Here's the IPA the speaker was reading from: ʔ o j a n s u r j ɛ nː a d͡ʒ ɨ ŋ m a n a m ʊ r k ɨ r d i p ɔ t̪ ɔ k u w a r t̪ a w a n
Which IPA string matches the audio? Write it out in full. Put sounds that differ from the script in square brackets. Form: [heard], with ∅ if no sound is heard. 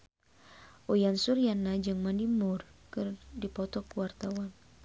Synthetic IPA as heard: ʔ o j a n s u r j [a] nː a d͡ʒ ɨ ŋ m a n [i] m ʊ r k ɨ r d i p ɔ t̪ ɔ k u w a r t̪ a w a n

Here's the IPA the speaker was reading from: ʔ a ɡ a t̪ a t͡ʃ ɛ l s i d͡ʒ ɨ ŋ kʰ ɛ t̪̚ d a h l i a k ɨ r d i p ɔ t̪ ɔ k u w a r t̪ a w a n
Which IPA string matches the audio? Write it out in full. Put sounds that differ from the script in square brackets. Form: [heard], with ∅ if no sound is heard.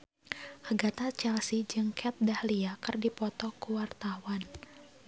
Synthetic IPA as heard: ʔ a ɡ a t̪ a t͡ʃ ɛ l s i d͡ʒ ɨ ŋ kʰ ɛ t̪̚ d a h l i a k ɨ r d i p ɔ t̪ ɔ k u w a r t̪ a w a n

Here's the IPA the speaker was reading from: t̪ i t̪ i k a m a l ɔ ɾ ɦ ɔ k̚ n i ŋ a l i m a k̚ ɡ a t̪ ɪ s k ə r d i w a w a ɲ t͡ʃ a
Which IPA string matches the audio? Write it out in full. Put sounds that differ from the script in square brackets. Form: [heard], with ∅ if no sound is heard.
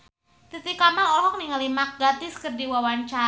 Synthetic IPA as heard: t̪ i t̪ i k a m a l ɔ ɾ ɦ ɔ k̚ n i ŋ a l i m a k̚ ɡ a t̪ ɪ s k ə r d i w a w a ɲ t͡ʃ a

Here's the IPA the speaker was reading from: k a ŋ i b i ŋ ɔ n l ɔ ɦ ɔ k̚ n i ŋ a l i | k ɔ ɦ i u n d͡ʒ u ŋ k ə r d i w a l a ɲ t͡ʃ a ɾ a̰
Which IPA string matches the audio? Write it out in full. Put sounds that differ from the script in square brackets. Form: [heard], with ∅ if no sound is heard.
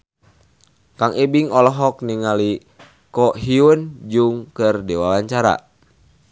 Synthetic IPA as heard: k a ŋ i b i ŋ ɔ [∅] l ɔ ɦ ɔ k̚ n i ŋ a l i | k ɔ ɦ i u n d͡ʒ u ŋ k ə r d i w a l a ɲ t͡ʃ a ɾ a̰

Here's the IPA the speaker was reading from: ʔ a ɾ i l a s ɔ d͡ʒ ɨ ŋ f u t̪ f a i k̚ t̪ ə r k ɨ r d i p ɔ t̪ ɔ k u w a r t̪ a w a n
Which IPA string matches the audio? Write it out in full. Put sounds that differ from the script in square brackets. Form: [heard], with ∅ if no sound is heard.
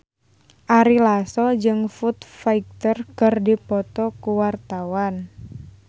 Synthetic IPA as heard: ʔ a ɾ i l a s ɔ d͡ʒ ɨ ŋ f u t̪ f a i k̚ t̪ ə r k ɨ r d i p ɔ t̪ ɔ k u w a r t̪ a w a n

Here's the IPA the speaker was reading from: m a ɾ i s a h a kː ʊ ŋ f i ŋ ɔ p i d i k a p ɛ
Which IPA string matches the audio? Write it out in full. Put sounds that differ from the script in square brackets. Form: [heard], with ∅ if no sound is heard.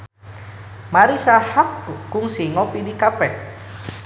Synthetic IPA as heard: m a ɾ i s a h a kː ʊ ŋ [s] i ŋ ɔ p i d i k a p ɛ

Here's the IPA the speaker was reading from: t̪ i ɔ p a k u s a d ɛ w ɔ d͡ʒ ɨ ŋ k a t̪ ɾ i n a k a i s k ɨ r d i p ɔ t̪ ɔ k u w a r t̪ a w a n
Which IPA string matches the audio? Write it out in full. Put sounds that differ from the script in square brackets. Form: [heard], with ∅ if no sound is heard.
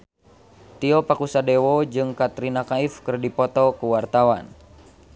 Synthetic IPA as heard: t̪ i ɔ p a k u s a d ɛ w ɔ d͡ʒ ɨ ŋ k a t̪ ɾ i n a k a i [f] k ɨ r d i p ɔ t̪ ɔ k u w a r t̪ a w a n

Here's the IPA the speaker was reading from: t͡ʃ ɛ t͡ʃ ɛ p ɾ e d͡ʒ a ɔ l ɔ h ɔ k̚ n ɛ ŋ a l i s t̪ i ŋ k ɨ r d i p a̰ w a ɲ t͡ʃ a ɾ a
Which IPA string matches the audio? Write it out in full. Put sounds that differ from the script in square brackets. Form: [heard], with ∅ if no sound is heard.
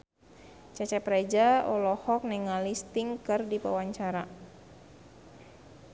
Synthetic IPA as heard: t͡ʃ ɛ t͡ʃ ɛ p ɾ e d͡ʒ a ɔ l ɔ h ɔ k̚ n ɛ ŋ a l i s t̪ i ŋ k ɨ r d i p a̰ w a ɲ t͡ʃ a ɾ a

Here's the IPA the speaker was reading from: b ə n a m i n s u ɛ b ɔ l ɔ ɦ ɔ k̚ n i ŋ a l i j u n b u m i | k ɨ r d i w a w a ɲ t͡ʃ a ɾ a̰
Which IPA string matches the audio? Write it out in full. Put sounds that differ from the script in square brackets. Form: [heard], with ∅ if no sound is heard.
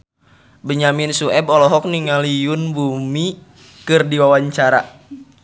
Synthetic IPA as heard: b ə [ɲ] a m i n s u ɛ b ɔ l ɔ ɦ ɔ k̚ n i ŋ a l i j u n b u m i | k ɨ r d i w a w a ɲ t͡ʃ a ɾ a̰

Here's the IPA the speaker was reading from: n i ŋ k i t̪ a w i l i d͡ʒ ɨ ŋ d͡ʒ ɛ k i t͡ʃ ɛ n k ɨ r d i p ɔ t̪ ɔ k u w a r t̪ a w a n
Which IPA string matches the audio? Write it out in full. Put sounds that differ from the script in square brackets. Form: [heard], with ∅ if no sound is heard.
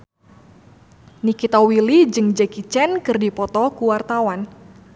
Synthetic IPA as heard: n i [∅] k i t̪ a w i l i d͡ʒ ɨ ŋ d͡ʒ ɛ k i t͡ʃ ɛ n k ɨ r d i p ɔ t̪ ɔ k u w a r t̪ a w a n

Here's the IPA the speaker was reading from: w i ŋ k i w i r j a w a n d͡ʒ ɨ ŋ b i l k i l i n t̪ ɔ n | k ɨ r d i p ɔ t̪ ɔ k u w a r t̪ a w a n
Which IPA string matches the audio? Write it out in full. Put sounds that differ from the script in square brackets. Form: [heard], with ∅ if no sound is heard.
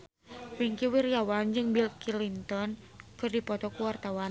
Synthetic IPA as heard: w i ŋ k i w i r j a w a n d͡ʒ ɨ ŋ b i l k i l i n t̪ ɔ n | k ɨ r d i p ɔ t̪ ɔ k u w a r t̪ a w a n

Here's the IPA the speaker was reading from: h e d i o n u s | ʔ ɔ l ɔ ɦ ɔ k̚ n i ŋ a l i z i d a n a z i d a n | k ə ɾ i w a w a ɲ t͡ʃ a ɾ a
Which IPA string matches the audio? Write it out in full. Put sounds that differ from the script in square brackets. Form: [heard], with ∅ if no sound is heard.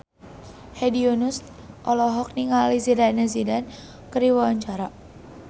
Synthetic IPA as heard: h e d i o n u s | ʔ ɔ l ɔ ɦ ɔ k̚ n i ŋ a l i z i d a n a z i d a n | k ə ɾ i w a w a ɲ t͡ʃ a ɾ a

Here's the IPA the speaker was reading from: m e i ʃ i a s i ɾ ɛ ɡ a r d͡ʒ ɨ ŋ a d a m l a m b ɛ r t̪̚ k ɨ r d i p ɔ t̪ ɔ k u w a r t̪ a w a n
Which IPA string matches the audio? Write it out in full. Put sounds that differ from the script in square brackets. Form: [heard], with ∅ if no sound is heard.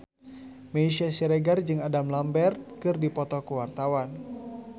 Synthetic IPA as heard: m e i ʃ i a s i ɾ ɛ ɡ a r d͡ʒ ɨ ŋ a d a m l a m b ɛ r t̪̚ k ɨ r d i p ɔ t̪ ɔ k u w a r t̪ a w a n

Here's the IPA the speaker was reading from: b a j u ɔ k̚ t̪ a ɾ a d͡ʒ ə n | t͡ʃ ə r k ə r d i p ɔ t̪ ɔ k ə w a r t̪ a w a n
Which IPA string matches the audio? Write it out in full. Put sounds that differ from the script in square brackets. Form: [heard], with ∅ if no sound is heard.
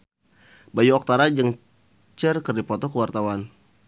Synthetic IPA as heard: b a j u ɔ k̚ t̪ a ɾ a d͡ʒ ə [ŋ] | t͡ʃ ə r k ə r d i p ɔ t̪ ɔ k ə w a r t̪ a w a n

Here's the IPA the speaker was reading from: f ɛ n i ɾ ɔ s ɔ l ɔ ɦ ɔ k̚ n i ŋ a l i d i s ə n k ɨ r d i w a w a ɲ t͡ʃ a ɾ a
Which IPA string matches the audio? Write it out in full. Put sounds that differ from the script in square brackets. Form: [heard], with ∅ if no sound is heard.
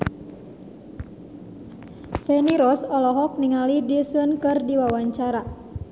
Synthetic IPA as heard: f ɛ n i ɾ ɔ s ɔ l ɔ ɦ ɔ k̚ n i ŋ a l i d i s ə n k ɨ r d i w a w a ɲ t͡ʃ a ɾ a

